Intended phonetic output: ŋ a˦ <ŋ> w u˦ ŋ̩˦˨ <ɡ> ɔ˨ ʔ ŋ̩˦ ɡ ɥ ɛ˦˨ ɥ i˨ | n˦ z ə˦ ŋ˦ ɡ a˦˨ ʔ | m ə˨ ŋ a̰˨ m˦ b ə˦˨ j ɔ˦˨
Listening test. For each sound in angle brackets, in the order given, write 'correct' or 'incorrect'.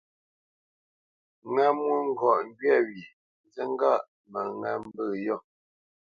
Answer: incorrect: m, correct

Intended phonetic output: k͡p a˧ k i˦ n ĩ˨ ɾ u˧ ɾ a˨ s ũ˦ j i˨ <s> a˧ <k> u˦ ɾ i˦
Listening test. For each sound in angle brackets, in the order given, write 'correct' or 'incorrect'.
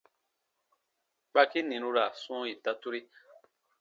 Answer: incorrect: t, incorrect: t

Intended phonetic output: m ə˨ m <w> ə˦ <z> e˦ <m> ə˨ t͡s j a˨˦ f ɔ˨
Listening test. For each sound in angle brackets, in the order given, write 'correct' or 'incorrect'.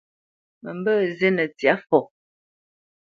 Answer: incorrect: b, correct, incorrect: n

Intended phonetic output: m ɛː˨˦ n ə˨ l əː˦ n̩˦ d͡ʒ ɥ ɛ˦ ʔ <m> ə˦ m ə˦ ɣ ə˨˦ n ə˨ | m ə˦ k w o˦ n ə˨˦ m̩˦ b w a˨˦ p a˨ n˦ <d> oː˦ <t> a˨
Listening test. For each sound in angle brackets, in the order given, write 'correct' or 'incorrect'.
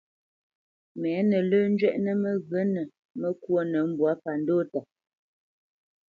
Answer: incorrect: n, correct, correct

